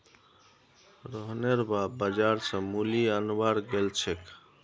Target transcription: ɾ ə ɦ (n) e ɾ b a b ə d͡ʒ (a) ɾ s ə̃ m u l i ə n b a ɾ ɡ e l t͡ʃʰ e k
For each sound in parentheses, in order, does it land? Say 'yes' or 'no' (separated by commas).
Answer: yes, yes